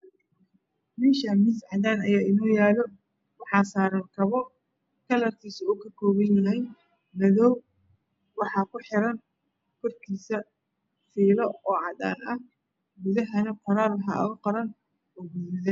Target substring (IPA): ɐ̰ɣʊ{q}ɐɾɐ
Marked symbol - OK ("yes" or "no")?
yes